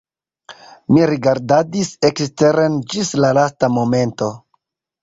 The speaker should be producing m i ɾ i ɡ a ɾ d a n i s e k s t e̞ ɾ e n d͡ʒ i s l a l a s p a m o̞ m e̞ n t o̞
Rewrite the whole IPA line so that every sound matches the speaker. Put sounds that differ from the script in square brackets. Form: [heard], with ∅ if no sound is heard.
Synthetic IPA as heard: m i ɾ i ɡ a ɾ d a [d] i s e k s t e̞ ɾ e n d͡ʒ i s l a l a s [t] a m o̞ m e̞ n t o̞